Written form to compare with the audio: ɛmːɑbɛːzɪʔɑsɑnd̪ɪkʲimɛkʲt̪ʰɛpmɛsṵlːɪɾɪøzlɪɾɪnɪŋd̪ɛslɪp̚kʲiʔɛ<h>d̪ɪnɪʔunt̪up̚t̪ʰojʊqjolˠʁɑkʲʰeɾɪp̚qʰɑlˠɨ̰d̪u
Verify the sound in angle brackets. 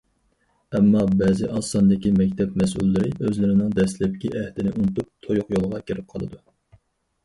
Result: correct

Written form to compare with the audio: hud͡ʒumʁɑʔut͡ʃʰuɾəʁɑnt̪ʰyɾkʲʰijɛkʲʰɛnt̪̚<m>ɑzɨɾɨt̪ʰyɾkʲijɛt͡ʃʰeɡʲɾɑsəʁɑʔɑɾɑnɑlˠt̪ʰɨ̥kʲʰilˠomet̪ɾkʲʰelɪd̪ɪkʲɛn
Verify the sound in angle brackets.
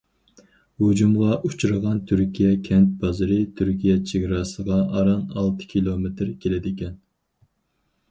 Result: incorrect: b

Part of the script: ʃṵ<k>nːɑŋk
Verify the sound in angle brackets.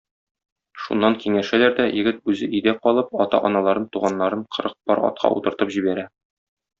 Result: incorrect: none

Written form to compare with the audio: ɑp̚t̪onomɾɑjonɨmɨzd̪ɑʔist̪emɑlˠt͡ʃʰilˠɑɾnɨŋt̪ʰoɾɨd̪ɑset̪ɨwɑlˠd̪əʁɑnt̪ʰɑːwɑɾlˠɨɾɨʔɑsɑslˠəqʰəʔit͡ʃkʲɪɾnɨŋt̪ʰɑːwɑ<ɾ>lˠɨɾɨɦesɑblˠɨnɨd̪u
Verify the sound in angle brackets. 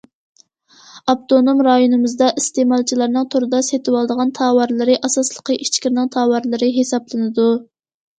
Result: correct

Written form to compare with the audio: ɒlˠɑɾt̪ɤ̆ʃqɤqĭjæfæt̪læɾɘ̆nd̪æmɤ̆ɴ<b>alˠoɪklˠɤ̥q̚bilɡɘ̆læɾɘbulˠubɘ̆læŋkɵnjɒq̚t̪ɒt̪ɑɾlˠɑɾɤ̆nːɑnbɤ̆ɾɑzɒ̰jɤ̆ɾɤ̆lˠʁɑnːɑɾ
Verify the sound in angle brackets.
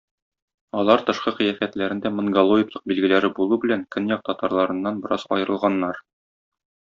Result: incorrect: ɡ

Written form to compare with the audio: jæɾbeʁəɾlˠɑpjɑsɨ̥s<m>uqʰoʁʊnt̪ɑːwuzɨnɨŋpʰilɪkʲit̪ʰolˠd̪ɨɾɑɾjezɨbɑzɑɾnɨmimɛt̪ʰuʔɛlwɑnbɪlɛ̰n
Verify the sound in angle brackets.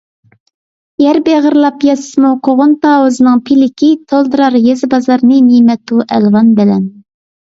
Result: correct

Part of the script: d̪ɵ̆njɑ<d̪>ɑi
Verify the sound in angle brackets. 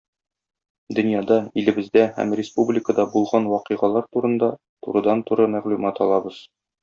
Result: correct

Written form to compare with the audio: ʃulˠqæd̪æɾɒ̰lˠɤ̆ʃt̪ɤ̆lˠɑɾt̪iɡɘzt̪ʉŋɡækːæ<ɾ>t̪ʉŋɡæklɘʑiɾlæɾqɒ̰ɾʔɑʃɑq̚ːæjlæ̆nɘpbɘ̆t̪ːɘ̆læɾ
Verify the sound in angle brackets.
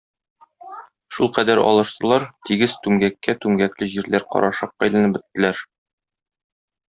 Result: incorrect: none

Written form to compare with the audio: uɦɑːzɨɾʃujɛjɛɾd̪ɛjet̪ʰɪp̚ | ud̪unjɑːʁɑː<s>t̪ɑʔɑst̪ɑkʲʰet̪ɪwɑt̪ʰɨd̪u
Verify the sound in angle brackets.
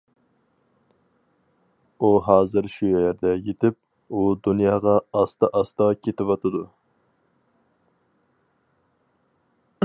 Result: correct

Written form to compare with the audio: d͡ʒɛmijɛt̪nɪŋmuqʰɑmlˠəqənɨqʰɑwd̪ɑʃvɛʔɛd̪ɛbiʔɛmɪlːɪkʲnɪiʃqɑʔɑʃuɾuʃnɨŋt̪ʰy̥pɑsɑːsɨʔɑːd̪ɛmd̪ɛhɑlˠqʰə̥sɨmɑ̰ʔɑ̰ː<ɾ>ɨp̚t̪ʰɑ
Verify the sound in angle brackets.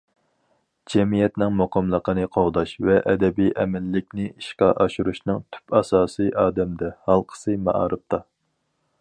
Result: correct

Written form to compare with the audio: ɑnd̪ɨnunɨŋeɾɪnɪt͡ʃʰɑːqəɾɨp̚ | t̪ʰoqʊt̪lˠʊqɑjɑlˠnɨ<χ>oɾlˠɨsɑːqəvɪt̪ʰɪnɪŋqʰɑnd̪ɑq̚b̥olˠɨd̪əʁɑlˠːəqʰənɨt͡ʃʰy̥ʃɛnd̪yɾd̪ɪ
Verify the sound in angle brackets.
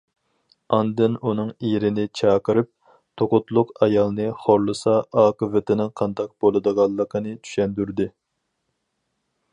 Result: correct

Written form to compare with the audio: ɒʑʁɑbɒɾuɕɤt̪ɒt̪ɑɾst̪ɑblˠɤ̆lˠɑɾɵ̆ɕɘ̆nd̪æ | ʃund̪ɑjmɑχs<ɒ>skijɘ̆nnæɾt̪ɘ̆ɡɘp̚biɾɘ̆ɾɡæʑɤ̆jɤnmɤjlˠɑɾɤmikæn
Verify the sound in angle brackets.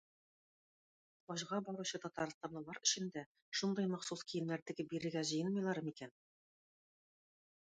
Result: incorrect: u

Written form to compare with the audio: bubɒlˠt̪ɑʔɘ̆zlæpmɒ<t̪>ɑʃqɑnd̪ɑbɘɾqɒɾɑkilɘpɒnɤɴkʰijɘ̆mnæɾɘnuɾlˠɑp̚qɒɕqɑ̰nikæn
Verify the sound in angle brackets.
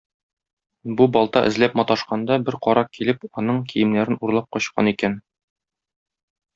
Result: correct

